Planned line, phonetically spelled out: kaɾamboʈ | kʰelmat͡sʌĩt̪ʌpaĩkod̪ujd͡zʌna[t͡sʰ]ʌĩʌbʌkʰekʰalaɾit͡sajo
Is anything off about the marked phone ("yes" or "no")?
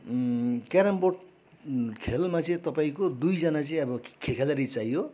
yes